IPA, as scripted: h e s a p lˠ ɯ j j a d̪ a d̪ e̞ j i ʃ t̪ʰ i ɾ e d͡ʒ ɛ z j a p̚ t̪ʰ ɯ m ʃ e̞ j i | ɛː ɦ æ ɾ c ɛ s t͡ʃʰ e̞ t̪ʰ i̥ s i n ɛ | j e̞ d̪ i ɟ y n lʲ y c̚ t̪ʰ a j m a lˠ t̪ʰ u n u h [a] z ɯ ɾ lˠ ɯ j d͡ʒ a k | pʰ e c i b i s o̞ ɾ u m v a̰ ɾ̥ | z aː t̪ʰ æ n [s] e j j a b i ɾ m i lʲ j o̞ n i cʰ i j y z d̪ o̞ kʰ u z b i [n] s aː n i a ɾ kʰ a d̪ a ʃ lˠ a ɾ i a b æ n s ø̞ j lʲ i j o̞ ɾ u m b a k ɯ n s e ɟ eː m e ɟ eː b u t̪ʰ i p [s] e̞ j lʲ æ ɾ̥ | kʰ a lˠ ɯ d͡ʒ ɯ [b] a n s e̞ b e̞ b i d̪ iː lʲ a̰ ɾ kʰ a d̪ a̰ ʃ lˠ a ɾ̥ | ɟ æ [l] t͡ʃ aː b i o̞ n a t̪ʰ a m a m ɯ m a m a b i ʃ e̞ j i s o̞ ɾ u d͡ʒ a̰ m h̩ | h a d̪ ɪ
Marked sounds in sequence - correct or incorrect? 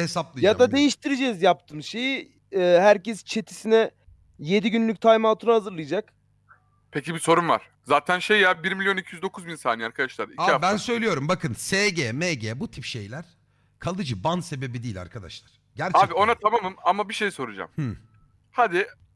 correct, incorrect, correct, incorrect, correct, incorrect

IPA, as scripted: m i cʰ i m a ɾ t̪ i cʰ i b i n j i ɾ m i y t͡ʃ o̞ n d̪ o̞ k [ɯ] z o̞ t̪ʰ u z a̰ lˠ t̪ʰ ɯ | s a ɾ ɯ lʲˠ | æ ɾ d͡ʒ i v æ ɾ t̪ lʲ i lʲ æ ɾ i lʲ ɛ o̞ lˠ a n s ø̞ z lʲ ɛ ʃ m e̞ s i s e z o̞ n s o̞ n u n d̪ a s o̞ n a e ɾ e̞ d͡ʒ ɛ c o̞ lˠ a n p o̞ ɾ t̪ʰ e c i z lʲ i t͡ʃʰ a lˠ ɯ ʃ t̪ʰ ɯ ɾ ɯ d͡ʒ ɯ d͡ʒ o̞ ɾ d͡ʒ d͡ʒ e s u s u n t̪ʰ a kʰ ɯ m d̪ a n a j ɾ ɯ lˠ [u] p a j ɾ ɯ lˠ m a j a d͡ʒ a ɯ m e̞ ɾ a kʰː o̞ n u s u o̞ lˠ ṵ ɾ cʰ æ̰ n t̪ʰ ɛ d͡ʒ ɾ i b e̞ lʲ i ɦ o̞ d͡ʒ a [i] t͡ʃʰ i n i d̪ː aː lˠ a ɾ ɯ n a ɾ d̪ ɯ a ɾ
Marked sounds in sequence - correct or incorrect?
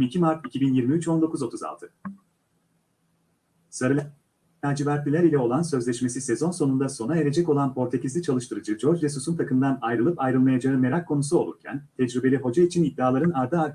incorrect, incorrect, correct

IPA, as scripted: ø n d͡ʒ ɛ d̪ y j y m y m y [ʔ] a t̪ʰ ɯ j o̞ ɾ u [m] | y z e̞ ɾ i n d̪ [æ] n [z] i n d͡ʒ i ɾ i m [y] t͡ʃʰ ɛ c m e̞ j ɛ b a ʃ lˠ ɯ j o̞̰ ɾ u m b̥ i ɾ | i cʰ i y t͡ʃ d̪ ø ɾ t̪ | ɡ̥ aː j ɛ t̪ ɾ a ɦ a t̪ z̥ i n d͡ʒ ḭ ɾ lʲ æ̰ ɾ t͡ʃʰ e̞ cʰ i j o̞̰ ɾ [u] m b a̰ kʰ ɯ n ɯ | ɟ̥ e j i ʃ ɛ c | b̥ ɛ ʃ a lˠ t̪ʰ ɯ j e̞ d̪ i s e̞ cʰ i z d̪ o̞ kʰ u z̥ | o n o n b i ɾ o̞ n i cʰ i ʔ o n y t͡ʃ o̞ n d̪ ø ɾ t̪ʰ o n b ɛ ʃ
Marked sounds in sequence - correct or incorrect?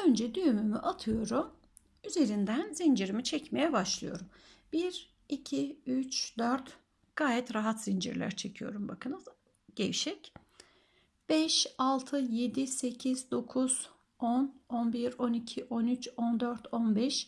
correct, correct, correct, correct, incorrect, correct

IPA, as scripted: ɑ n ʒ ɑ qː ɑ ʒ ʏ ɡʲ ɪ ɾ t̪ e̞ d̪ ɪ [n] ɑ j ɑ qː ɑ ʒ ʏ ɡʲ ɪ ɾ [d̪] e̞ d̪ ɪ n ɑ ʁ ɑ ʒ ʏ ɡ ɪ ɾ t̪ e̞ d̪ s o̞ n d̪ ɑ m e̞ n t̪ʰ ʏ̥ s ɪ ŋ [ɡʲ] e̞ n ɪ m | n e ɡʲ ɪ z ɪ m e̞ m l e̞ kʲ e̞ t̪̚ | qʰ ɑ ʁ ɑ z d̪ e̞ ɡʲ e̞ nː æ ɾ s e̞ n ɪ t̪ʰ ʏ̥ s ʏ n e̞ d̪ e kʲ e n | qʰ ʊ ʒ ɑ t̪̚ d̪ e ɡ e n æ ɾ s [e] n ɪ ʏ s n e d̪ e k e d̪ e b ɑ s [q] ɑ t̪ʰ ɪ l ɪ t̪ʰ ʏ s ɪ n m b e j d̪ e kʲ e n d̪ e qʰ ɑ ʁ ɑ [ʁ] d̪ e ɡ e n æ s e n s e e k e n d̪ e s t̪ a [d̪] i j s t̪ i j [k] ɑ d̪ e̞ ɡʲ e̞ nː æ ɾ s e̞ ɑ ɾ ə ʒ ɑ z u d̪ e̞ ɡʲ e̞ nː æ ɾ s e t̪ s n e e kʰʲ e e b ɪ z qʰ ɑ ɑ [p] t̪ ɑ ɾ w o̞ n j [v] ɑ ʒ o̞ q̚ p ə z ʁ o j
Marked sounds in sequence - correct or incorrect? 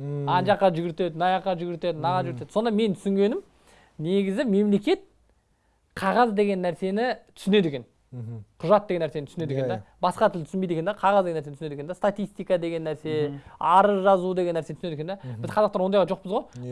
correct, incorrect, correct, correct, correct, incorrect, incorrect, correct, incorrect, incorrect

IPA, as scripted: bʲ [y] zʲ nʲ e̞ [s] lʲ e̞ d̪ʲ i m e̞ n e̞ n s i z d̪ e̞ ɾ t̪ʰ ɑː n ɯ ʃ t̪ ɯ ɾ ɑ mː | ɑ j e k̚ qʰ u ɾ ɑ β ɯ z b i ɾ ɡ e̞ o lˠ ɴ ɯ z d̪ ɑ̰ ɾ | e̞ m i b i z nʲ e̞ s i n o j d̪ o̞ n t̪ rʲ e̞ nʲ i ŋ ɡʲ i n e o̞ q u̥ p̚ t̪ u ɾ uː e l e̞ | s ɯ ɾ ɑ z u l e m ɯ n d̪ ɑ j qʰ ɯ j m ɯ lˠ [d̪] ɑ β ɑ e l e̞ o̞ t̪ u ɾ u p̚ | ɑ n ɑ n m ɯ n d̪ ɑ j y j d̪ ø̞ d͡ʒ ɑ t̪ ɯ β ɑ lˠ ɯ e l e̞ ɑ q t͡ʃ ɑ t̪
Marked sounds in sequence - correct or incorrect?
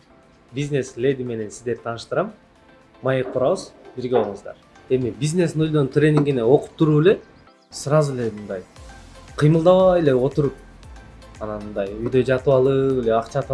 incorrect, correct, correct

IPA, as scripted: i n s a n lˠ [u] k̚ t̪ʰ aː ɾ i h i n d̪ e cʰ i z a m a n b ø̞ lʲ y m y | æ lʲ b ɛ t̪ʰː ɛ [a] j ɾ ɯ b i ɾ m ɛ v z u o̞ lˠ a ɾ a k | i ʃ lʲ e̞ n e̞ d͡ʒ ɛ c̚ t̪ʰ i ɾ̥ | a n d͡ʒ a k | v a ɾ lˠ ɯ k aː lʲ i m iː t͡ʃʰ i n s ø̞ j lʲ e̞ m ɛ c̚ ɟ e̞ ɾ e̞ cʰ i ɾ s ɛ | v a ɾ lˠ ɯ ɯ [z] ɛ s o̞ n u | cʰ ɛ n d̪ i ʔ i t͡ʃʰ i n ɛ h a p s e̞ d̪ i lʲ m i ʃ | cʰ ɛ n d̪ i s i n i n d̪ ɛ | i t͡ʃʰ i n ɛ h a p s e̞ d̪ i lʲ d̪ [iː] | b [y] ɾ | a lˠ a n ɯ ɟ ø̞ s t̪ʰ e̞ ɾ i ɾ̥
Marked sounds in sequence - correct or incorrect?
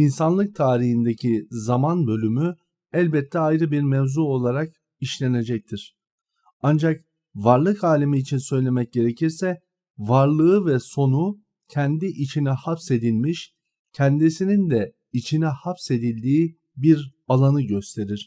incorrect, correct, incorrect, correct, incorrect

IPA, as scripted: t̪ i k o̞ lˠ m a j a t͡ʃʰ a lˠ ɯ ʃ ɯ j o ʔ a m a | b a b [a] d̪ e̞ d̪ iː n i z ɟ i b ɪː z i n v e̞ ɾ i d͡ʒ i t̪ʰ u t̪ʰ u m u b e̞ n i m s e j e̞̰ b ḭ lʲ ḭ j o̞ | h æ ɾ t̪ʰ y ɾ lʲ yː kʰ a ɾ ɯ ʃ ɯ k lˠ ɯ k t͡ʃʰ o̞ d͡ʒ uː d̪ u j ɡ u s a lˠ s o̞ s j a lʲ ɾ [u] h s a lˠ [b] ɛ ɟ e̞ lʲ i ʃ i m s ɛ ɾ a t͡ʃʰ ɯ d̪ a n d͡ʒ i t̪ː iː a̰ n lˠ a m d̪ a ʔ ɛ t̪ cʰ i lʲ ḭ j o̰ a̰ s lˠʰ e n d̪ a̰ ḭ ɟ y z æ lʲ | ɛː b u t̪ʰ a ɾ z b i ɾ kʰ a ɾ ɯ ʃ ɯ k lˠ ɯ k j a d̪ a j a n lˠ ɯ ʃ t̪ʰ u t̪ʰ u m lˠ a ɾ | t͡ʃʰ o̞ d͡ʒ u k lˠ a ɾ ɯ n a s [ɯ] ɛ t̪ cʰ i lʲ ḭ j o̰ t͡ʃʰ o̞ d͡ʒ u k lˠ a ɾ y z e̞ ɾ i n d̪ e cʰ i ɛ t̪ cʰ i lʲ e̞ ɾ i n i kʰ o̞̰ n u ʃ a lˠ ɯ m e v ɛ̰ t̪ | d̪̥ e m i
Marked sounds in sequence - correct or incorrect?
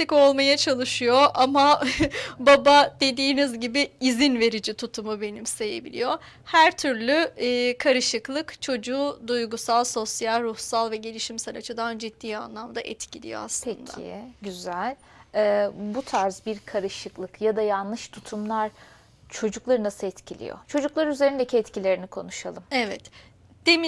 correct, correct, incorrect, correct

